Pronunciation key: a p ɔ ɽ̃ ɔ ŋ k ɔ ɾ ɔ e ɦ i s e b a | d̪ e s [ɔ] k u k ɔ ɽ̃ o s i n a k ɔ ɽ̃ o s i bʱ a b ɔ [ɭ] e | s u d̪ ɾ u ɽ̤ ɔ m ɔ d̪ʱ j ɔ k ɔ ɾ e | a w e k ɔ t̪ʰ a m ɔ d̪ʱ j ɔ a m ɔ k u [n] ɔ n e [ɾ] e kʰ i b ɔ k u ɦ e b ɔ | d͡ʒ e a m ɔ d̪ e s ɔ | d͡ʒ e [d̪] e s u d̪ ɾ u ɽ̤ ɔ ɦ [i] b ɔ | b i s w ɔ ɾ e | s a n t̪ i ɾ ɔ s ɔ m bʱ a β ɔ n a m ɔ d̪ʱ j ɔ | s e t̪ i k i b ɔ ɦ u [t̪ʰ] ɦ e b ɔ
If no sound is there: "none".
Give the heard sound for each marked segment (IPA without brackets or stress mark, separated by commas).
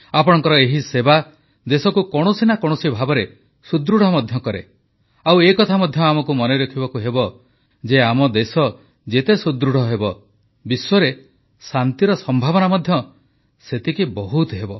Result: ɔ, ɾ, m, ɾ, t̪, e, t̪